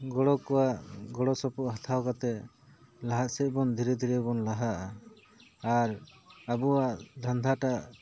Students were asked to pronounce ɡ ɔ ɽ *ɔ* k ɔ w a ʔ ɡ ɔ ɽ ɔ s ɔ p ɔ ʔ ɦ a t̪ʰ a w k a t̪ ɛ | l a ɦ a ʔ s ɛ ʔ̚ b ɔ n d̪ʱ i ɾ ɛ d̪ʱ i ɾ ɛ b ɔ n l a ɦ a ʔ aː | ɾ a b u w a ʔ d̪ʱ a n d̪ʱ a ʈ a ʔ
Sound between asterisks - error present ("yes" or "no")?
no